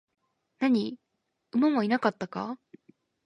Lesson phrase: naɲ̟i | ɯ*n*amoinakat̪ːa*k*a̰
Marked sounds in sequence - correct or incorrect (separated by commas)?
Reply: incorrect, correct